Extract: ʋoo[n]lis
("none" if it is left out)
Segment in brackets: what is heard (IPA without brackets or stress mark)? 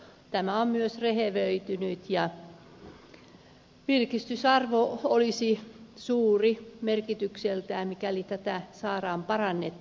none